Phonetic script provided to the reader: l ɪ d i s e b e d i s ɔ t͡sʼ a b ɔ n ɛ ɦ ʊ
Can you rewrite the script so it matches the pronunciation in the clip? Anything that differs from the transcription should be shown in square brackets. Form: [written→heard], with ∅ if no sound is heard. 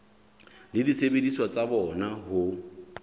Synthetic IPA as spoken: l ɪ d i s e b e d i s ɔ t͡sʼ a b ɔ n [ɛ→a] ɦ ʊ